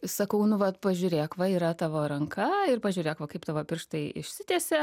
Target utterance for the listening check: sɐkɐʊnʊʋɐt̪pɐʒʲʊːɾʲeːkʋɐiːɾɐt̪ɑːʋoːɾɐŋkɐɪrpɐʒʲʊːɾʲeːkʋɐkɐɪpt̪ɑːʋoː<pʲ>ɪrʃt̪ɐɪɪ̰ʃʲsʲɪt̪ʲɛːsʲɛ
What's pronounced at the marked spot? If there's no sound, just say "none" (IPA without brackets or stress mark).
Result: pʲ